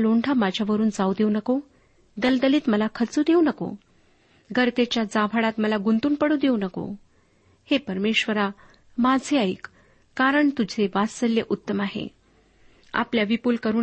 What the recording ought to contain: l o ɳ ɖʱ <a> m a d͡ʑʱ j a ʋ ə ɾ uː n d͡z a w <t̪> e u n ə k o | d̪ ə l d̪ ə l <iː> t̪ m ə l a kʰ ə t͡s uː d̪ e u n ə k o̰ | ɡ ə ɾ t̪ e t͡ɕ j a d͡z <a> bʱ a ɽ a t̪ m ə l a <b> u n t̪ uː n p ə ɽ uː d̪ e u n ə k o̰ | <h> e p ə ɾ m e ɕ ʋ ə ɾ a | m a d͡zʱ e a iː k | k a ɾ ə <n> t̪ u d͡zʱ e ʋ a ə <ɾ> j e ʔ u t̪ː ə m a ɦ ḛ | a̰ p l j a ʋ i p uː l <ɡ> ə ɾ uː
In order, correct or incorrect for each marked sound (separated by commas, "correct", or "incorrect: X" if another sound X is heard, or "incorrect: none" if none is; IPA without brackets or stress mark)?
correct, incorrect: d̪, correct, correct, incorrect: ɡ, correct, incorrect: ɳ, incorrect: l, incorrect: k